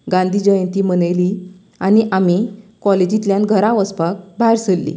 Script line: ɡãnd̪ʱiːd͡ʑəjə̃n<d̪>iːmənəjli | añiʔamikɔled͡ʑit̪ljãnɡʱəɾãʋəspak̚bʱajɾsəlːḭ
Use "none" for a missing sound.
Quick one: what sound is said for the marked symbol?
t̪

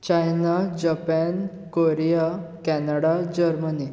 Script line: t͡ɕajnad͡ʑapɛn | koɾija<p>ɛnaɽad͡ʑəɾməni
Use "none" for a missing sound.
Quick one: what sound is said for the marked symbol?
k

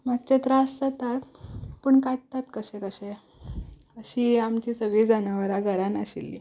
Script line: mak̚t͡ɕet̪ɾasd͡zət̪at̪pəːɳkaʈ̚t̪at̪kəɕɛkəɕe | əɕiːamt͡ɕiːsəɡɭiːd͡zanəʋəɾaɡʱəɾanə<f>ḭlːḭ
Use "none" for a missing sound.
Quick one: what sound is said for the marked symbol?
ɕ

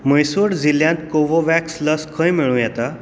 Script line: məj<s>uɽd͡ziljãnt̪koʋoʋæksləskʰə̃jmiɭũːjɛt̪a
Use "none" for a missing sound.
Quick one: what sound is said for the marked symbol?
s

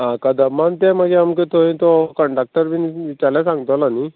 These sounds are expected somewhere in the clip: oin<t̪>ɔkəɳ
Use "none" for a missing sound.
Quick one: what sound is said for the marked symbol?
t̪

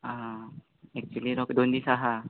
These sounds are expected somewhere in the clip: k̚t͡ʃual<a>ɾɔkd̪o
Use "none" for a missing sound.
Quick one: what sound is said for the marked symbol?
i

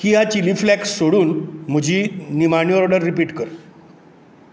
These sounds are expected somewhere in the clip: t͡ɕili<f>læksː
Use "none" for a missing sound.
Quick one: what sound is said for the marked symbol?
f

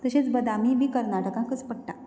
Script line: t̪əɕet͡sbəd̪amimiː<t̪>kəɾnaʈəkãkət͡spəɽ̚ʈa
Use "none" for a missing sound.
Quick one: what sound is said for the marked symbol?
none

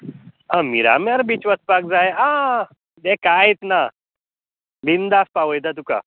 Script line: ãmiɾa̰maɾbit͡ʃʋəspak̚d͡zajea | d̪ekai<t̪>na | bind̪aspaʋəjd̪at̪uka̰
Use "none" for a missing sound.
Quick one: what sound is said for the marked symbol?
t̪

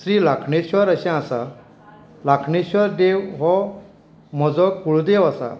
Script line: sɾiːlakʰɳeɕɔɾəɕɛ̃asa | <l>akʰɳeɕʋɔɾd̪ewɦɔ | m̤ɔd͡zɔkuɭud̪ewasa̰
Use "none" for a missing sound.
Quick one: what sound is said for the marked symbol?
l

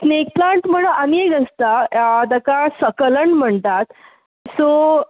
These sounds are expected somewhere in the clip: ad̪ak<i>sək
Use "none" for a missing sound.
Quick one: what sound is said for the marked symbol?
a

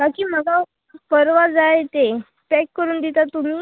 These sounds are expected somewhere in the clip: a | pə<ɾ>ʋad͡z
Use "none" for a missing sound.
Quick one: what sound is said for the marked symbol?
ɾ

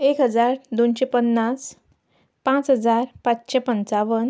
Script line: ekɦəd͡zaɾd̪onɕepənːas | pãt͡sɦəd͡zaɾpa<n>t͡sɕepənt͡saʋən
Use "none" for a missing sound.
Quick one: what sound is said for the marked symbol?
none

